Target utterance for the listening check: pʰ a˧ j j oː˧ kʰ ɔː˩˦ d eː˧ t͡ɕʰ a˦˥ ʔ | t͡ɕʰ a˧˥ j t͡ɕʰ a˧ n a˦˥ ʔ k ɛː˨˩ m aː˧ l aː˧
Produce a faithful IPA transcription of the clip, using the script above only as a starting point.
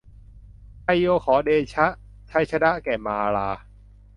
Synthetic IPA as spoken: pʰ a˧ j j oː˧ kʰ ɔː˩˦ d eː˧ t͡ɕʰ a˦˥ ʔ | t͡ɕʰ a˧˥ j t͡ɕʰ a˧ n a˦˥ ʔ k ɛː˨˩ m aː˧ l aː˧